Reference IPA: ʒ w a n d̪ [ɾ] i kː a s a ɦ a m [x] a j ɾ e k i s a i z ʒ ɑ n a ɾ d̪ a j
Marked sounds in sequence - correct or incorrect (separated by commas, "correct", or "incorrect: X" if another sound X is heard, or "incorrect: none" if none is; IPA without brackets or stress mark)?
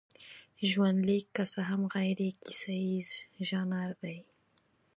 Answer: incorrect: l, incorrect: ɣ